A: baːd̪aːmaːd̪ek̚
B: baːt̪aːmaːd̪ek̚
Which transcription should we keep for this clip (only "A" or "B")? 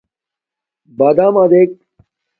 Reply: A